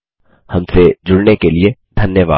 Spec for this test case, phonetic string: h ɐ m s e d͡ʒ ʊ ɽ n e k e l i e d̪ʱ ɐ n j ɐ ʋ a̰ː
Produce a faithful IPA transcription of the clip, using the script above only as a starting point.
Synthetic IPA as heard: h ɐ m s e d͡ʒ ʊ ɽ n e k e l i e d̪ʱ ɐ n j ə ʋ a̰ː